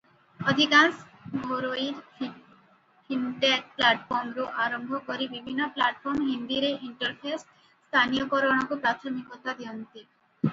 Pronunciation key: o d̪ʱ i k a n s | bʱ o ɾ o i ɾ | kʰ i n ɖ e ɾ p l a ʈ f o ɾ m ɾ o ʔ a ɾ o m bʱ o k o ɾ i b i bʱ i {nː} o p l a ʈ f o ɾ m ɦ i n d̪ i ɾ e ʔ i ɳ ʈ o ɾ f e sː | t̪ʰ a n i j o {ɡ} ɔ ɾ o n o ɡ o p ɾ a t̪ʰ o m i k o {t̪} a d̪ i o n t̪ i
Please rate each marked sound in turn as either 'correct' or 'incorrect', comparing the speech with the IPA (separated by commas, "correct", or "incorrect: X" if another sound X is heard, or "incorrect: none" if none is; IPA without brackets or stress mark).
correct, incorrect: k, correct